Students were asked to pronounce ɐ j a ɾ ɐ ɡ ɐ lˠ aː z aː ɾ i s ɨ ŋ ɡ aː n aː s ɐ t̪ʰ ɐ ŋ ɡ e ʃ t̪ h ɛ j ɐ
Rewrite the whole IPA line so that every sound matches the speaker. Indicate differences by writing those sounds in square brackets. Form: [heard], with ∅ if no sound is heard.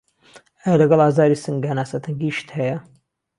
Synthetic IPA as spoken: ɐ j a [l] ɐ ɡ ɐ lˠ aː z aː ɾ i s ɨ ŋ ɡ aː n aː s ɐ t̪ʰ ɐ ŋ ɡ [i] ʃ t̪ h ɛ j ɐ